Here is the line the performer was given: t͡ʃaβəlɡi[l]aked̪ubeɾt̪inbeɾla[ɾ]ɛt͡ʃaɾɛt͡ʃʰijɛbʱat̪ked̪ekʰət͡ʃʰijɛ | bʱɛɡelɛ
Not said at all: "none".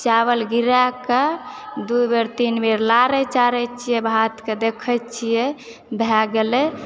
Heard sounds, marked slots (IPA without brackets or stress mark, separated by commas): ɾ, ɾ